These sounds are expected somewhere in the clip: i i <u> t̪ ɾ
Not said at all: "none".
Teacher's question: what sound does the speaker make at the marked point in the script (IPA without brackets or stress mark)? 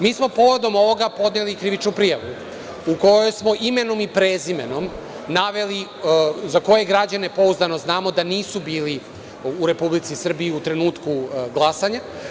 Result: u